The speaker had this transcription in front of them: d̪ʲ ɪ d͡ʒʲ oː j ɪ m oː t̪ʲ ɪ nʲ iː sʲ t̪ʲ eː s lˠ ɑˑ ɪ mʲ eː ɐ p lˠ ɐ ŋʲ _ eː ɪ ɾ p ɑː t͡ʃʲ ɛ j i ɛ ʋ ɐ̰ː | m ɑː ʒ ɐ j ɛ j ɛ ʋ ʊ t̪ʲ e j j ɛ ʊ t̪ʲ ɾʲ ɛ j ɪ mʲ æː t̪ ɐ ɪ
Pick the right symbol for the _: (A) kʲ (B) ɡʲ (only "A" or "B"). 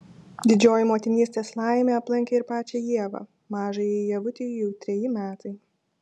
A